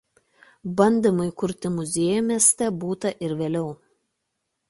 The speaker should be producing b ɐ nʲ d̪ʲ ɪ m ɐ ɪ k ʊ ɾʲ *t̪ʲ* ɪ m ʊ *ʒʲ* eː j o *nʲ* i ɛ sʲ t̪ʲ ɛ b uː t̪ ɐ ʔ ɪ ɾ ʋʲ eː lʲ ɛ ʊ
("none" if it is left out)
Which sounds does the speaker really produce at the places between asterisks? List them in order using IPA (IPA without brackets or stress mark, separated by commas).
t̪ʲ, zʲ, mʲ